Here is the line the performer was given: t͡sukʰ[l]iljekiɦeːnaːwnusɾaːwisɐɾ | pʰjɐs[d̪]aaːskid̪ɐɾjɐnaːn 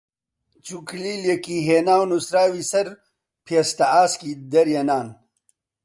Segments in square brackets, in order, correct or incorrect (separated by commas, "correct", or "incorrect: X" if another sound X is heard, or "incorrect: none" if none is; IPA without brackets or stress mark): correct, incorrect: t̪